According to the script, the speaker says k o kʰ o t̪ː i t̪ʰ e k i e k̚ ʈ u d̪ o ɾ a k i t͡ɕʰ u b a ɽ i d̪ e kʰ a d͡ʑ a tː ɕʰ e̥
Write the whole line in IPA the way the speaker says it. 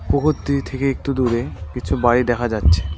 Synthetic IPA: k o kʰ o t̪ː i t̪ʰ e k e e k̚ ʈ u d̪ u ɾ e k i t͡ɕʰ u b a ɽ i d̪ ɛ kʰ a d͡ʑ a tː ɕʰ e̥